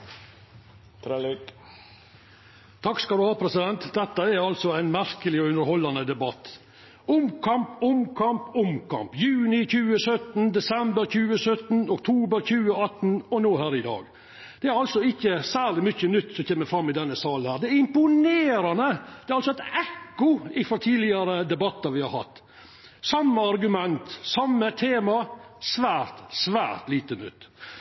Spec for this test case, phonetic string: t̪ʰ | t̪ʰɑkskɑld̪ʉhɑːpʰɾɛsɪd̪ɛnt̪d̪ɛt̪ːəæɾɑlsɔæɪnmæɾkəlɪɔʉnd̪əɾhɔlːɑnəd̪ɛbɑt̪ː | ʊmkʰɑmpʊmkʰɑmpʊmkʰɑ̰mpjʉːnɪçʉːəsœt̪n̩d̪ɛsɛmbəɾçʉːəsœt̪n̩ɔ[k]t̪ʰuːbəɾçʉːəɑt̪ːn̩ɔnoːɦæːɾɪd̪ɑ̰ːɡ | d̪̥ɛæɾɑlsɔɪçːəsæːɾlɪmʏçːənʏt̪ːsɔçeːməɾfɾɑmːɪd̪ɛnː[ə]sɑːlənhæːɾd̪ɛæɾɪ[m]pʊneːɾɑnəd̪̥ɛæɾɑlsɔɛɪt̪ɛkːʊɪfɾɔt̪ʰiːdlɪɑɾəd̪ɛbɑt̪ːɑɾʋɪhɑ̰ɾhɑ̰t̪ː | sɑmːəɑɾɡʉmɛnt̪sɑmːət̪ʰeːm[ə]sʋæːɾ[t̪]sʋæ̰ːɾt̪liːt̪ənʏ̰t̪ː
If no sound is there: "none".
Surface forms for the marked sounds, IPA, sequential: k, ə, m, ɑ, t̪

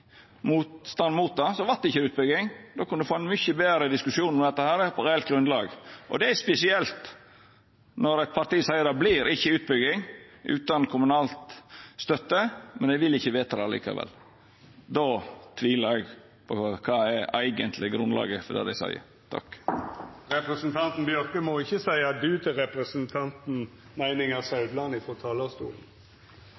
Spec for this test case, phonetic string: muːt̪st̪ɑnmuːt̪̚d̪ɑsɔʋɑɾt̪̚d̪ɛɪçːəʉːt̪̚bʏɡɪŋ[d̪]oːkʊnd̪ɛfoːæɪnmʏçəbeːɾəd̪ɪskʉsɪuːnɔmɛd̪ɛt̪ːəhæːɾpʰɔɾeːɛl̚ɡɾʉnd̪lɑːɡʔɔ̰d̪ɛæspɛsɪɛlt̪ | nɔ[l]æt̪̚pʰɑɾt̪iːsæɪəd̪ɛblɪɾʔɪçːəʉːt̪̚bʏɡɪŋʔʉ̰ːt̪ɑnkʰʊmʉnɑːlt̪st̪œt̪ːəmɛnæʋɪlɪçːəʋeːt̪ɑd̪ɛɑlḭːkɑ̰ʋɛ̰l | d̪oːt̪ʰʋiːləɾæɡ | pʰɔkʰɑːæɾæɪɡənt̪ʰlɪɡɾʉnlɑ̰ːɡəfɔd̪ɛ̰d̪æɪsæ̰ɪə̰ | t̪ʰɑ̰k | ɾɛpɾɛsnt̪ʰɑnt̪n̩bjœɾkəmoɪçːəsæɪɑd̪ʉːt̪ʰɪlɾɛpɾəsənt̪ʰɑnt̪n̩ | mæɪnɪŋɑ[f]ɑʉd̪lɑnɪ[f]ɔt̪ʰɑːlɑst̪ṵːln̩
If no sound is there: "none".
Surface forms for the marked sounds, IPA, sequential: d̪, ɾ, s, f

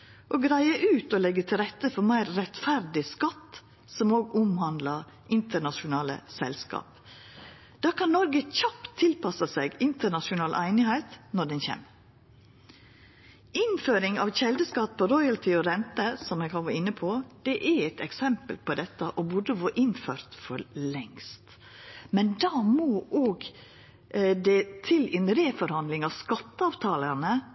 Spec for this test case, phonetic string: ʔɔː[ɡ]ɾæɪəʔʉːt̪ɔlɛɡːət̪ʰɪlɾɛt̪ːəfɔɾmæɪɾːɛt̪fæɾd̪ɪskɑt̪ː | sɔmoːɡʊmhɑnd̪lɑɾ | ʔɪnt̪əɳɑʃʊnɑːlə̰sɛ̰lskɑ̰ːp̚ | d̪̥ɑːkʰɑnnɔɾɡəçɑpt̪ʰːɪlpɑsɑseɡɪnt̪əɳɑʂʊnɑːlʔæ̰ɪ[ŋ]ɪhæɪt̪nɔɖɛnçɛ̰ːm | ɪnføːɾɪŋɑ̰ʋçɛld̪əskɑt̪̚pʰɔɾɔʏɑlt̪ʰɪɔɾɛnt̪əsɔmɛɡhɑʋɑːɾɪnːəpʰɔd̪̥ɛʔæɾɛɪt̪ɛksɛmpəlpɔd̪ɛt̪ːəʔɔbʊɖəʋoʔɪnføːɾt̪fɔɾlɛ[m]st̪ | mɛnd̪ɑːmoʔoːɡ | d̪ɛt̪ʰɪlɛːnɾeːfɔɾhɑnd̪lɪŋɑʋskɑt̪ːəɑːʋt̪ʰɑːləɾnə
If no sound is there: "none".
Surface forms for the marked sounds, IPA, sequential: ɡ, n, ŋ

